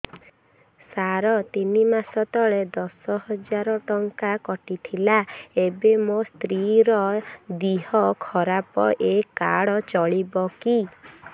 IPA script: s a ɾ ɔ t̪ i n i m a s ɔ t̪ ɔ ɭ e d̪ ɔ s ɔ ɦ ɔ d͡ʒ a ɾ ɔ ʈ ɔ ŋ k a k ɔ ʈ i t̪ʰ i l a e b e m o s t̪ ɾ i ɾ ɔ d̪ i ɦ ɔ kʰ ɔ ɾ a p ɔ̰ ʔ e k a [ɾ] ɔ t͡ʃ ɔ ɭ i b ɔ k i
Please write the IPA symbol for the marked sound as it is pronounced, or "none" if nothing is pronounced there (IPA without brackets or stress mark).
ɽ